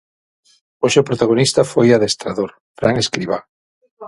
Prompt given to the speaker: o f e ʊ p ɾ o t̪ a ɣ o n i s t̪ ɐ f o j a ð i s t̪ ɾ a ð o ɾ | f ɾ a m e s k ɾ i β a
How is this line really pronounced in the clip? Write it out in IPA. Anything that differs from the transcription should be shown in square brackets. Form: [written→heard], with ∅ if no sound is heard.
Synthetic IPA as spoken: o [f→ʃ] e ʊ p ɾ o t̪ a ɣ o n i s t̪ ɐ f o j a ð [i→e] s t̪ ɾ a ð o ɾ | f ɾ a [m→ŋ] e s k ɾ i β a